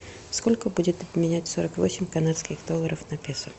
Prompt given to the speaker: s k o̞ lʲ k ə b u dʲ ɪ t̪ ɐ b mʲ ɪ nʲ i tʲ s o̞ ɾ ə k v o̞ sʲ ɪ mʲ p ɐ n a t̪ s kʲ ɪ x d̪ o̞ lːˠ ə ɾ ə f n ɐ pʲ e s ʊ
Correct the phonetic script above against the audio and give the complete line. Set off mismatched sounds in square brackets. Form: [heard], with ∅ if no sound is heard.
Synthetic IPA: s k o̞ lʲ k ə b u dʲ ɪ t̪ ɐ b mʲ ɪ nʲ [æ] tʲ s o̞ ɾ ə k v o̞ sʲ ɪ mʲ [k] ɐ n a t̪ s kʲ ɪ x d̪ o̞ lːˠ ə ɾ ə f n ɐ pʲ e s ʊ